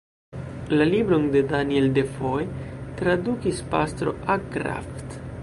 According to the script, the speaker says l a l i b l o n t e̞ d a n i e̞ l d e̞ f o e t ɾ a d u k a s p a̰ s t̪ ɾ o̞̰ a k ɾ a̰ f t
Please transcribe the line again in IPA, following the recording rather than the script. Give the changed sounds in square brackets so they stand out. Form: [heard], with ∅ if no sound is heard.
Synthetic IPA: l a l i b [ɾ] o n [d] e̞ d a n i e̞ l d e̞ f o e t ɾ a d u k [i] s p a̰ s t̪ ɾ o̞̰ a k ɾ a̰ f t